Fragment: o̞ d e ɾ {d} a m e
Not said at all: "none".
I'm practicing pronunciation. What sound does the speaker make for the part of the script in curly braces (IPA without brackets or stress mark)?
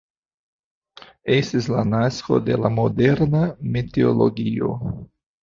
n